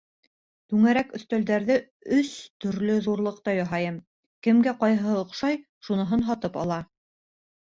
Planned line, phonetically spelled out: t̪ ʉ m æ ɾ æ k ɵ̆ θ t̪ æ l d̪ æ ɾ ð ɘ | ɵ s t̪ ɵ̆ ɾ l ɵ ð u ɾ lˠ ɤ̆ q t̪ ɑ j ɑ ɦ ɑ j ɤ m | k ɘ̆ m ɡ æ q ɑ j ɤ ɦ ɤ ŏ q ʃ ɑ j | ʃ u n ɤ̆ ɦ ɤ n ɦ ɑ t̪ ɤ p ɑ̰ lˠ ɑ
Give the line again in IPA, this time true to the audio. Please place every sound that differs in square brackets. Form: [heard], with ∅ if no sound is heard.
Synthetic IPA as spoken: t̪ ʉ [ŋ] æ ɾ æ k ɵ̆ θ t̪ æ l d̪ æ ɾ ð ɘ | ɵ s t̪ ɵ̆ ɾ l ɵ ð u ɾ lˠ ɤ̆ q t̪ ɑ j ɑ ɦ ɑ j ɤ m | k ɘ̆ m ɡ æ q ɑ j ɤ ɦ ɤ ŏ q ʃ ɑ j | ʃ u n ɤ̆ ɦ ɤ n ɦ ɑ t̪ ɤ p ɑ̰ lˠ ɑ